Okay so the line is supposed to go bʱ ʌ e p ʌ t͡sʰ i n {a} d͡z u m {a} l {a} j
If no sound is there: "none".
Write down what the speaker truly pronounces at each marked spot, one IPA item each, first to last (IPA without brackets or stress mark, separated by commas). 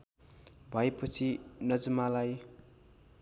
ʌ, a, a